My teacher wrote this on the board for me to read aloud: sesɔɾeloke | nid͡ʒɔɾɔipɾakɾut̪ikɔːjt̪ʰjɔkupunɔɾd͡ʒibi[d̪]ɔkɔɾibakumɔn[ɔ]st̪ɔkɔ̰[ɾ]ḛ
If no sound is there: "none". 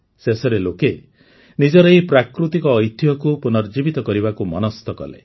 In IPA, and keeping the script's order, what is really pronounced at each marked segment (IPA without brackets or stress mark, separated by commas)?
t̪, ɔ, l